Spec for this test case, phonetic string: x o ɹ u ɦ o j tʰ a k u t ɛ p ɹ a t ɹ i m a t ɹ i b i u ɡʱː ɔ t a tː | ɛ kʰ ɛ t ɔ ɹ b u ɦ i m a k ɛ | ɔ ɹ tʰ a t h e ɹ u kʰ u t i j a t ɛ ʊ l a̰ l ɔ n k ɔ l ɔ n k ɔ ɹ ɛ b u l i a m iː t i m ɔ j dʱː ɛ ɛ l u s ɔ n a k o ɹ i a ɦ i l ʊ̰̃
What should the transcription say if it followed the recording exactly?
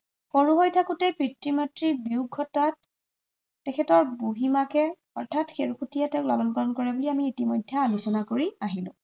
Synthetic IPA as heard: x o ɹ u ɦ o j tʰ a k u t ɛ p ɹ i t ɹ i m a t ɹ i b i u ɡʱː ɔ t a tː | ɛ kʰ ɛ t ɔ ɹ b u ɦ i m a k ɛ | ɔ ɹ tʰ a t x e ɹ u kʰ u t i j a t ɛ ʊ l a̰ l ɔ n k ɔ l ɔ n k ɔ ɹ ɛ b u l i a m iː t i m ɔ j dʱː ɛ a l u s ɔ n a k o ɹ i a ɦ i l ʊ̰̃